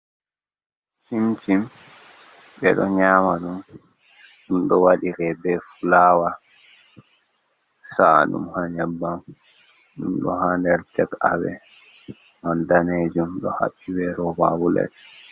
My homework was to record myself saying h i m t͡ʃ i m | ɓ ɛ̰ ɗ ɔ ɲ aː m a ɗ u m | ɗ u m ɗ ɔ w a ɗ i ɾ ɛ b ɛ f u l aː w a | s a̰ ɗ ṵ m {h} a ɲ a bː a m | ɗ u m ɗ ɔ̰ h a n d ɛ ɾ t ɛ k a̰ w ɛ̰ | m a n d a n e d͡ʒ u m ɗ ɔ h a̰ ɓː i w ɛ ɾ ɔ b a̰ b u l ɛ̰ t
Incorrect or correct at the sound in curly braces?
correct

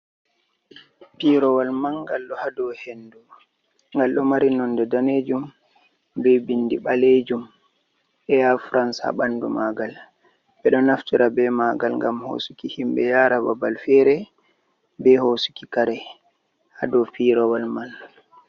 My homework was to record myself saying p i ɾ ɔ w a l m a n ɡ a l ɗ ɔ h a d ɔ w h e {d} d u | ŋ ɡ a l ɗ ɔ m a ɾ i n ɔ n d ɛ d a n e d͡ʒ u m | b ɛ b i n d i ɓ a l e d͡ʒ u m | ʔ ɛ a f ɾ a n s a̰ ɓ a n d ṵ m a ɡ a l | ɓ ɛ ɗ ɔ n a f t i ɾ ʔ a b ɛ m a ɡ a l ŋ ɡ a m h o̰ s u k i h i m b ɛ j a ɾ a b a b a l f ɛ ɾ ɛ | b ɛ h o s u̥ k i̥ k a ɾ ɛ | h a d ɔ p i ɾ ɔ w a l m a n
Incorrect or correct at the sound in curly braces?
incorrect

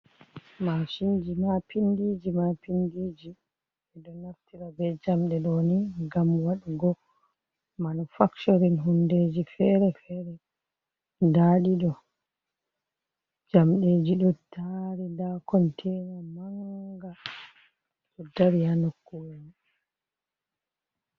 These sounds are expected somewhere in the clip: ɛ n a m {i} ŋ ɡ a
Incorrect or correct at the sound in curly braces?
incorrect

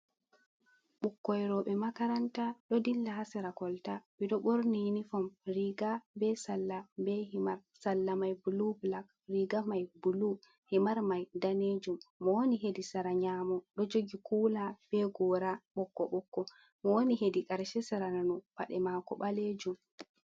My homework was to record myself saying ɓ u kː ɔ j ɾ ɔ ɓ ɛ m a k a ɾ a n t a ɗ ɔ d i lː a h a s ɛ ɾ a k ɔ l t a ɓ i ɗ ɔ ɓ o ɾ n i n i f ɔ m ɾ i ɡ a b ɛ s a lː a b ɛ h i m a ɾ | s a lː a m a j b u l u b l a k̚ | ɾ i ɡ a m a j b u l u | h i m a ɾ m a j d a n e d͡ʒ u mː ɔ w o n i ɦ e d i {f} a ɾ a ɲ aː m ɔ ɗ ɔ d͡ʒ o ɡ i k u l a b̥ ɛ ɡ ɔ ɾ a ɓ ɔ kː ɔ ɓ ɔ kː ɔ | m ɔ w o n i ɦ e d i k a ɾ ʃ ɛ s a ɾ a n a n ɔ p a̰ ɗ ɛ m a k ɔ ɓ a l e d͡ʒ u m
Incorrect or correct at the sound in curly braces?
incorrect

